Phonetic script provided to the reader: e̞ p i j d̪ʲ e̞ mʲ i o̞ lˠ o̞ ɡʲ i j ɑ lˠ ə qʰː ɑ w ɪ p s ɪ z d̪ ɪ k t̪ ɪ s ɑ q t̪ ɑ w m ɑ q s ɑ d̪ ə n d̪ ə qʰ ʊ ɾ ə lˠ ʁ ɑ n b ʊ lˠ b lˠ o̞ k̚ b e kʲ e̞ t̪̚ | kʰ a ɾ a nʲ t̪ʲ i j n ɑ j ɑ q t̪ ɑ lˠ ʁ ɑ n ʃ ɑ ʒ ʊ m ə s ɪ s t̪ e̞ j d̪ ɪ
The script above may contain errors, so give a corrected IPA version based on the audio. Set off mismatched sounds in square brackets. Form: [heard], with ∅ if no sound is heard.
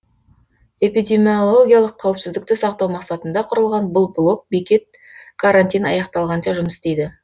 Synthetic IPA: e̞ p i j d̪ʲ e̞ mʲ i o̞ lˠ o̞ ɡʲ i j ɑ lˠ ə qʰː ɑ w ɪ p s ɪ z d̪ ɪ k t̪ ɪ s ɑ q t̪ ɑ w m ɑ q s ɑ [t̪] ə n d̪ [ɑ] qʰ ʊ ɾ ə lˠ ʁ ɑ n b ʊ lˠ b lˠ o̞ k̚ b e kʲ e̞ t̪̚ | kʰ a ɾ a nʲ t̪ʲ i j n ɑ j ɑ q t̪ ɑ lˠ ʁ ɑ n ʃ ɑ ʒ ʊ m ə s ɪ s t̪ e̞ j d̪ ɪ